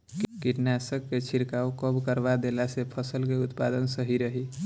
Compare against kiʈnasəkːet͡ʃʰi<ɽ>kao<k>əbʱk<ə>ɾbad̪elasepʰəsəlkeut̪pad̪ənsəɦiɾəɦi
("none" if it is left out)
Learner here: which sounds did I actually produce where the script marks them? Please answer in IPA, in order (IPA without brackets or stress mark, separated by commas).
ɾ, k, ə